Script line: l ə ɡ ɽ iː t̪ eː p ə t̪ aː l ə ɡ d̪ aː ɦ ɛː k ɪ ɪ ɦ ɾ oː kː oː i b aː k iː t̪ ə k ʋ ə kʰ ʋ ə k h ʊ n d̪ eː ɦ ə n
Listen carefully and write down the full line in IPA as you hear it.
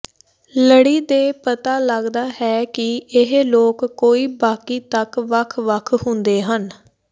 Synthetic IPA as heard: l ə ɽ iː d̪ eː p ə t̪ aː l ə ɡ d̪ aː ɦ ɛː k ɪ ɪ ɦ l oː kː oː iː b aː k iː t̪ ə k ʋ ə kʰ ʋ ə kʰ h ʊ n d̪ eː ɦ ə n

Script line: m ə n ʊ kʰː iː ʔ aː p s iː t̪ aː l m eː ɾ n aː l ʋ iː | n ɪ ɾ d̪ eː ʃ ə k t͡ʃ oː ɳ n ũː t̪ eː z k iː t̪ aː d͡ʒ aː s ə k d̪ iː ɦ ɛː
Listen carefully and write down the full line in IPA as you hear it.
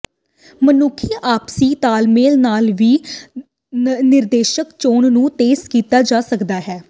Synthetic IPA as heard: m ə n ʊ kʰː iː ʔ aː p s iː t̪ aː l m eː l n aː l ʋ iː | n ɪ ɾ d̪ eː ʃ ə k t͡ʃ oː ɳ n ũː t̪ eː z k iː t̪ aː d͡ʒ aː s ə k d̪ aː ɦ ɛː

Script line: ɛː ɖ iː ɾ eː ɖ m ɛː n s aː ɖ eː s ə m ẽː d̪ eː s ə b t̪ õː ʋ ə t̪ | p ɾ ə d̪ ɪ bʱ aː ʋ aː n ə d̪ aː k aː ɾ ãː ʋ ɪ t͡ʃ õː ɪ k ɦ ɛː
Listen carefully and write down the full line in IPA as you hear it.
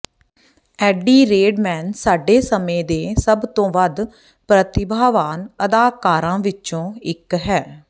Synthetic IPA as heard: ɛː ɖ iː ɾ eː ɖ m ɛː n s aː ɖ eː s ə m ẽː d̪ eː s ə b t̪ õː ʋ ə d̪ | p ɾ ə t̪ ɪ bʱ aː ʋ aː n ə d̪ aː k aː ɾ ãː ʋ ɪ t͡ʃ õː ɪ k ɦ ɛː

